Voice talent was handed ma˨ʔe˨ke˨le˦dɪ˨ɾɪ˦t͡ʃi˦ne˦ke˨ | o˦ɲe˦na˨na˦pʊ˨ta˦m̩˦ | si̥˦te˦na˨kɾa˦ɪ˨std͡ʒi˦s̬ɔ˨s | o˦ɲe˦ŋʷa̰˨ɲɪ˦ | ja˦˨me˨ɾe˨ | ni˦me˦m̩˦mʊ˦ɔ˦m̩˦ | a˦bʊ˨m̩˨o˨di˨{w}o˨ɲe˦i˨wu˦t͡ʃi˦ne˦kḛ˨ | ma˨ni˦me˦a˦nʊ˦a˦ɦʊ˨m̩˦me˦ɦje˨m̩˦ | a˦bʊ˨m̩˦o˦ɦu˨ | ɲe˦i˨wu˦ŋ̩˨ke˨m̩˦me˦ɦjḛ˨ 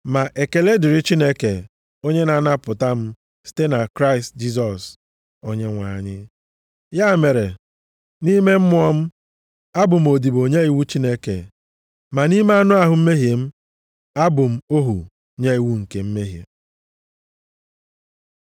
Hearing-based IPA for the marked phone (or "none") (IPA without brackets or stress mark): b